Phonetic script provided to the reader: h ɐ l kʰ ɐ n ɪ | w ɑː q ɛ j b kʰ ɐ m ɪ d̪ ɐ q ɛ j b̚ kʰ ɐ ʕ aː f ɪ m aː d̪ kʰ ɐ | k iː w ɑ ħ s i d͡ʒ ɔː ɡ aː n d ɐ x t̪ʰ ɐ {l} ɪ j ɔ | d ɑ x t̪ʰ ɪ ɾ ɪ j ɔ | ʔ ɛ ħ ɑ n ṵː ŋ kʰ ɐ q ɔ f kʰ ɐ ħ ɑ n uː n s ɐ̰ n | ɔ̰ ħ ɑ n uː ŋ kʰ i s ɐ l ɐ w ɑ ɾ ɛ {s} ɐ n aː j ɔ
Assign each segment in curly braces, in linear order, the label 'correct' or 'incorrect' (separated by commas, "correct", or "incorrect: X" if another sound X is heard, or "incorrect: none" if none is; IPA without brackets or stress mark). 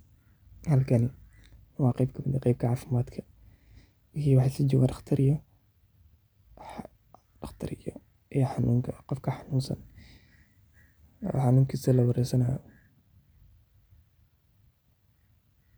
incorrect: ɾ, correct